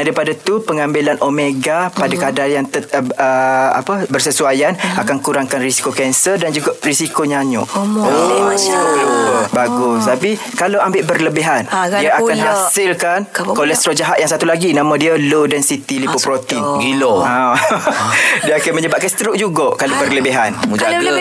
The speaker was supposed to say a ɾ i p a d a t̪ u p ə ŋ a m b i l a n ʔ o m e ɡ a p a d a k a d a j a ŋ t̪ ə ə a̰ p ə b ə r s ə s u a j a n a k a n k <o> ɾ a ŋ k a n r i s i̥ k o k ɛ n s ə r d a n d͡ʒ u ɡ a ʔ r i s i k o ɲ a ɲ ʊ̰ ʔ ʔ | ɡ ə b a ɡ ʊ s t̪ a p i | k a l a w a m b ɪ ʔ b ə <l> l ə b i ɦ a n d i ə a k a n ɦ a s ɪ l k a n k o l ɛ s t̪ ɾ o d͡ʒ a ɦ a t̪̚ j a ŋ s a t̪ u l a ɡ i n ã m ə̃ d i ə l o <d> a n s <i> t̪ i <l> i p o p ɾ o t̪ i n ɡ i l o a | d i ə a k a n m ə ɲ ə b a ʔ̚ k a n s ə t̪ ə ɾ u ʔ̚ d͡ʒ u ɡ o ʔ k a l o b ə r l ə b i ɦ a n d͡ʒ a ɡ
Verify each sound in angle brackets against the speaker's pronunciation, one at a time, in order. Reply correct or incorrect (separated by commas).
incorrect, incorrect, correct, correct, correct